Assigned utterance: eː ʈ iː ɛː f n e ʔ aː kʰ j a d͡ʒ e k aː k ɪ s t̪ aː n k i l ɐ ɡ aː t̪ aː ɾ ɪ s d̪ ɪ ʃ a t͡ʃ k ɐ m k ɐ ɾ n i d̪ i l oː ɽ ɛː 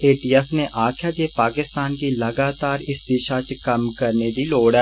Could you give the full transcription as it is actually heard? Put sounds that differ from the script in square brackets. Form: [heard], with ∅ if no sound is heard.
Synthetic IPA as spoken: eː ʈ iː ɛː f n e ʔ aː kʰ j a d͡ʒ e [p] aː k ɪ s t̪ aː n k i l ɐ ɡ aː t̪ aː ɾ ɪ s d̪ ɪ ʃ a t͡ʃ k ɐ m k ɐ ɾ n [e] d̪ i l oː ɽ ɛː